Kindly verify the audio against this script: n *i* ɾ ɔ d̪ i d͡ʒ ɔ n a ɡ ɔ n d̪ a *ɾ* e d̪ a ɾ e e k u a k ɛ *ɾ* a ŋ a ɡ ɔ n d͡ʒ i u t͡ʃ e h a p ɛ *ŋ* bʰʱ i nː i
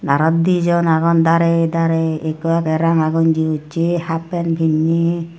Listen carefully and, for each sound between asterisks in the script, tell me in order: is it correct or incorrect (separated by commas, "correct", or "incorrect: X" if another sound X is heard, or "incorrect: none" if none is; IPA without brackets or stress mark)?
incorrect: a, correct, correct, incorrect: n